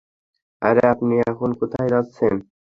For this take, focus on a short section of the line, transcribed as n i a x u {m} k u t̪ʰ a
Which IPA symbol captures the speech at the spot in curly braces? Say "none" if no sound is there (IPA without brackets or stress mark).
n